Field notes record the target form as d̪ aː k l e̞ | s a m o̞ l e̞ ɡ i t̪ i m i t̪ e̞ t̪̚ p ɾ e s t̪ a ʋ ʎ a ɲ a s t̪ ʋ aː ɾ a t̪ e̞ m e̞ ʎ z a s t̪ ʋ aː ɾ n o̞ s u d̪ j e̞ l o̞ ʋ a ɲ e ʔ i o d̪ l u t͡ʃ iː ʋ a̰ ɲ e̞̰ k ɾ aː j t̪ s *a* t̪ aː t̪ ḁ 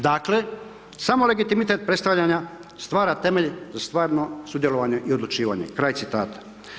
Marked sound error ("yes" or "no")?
yes